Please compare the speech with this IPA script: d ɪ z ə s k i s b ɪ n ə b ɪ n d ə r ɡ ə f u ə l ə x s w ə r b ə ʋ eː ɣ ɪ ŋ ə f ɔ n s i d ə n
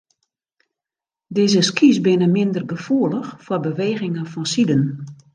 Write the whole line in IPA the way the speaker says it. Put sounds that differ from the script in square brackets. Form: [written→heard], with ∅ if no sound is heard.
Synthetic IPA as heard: d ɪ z ə s k i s b ɪ n ə [b→m] ɪ n d ə r ɡ ə f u ə l ə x [s→f] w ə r b ə ʋ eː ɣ ɪ ŋ ə f ɔ n s i d ə n